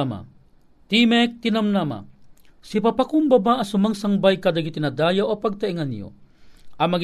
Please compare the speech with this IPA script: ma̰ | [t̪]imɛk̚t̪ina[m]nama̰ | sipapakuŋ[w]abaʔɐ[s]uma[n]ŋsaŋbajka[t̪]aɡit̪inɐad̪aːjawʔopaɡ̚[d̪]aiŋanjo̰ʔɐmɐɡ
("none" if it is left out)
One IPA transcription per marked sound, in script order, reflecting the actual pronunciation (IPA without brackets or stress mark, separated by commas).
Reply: t̪, m, b, s, none, d̪, t̪